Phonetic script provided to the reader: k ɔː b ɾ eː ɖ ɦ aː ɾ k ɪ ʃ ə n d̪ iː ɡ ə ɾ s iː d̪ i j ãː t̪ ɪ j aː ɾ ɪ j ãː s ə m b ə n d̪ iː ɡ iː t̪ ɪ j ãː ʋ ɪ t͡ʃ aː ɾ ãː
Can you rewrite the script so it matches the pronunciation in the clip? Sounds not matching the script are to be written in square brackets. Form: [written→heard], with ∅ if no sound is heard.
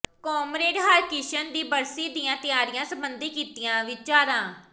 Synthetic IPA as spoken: k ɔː [b→m] ɾ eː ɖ ɦ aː ɾ k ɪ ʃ ə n d̪ iː [ɡ→b] ə ɾ s iː d̪ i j ãː t̪ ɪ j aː ɾ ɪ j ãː s ə m b ə n d̪ iː [ɡ→k] iː t̪ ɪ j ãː ʋ ɪ t͡ʃ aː ɾ ãː